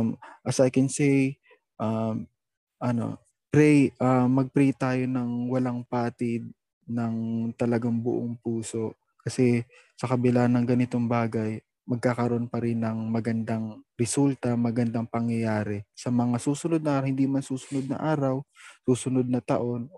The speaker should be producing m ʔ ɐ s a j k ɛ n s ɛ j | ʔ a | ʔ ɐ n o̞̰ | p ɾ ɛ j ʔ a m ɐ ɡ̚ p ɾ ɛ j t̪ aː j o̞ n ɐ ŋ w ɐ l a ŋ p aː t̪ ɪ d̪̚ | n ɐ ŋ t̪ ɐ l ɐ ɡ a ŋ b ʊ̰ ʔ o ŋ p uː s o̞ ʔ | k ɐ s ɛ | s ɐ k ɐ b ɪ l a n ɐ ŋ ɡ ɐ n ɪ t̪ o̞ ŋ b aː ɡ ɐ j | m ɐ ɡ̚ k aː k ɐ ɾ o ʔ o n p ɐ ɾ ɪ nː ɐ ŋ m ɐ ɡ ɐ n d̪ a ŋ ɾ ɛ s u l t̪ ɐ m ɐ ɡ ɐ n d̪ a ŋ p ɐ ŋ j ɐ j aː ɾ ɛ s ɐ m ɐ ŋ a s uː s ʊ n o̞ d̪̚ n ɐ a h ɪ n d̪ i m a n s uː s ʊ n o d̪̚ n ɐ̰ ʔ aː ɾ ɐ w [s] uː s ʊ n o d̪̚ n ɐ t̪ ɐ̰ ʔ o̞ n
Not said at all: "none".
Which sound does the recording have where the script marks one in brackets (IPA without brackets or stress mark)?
s